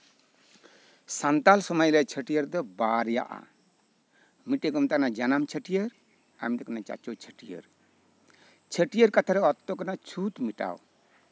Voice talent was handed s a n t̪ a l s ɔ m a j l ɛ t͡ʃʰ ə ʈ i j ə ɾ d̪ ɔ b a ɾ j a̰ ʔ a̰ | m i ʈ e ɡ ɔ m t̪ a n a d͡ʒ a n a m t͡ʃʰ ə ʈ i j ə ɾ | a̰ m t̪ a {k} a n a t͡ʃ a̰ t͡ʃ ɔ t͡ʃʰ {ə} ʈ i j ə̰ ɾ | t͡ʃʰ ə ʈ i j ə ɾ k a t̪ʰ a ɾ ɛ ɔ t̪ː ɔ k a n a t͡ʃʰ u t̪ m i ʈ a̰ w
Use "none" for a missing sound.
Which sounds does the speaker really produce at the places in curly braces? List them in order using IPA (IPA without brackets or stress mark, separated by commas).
k, ə